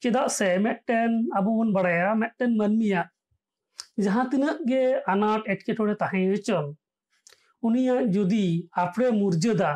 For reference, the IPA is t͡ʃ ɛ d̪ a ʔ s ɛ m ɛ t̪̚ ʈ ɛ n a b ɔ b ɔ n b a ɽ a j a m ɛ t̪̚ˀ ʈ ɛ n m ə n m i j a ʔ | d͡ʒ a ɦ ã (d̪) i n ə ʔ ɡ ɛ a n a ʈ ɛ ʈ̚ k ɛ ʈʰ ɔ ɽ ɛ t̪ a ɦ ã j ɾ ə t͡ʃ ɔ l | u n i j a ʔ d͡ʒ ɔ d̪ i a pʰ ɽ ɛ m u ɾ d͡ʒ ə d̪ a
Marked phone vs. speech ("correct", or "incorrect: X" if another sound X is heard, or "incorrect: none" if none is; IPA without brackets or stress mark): incorrect: t̪